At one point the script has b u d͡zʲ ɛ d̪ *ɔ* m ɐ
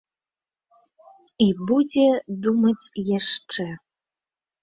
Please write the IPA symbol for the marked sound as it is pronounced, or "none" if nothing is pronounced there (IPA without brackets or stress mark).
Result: u